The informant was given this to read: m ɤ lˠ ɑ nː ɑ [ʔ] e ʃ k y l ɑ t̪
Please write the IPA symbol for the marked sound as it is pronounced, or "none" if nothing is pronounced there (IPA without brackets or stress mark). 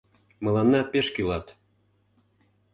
p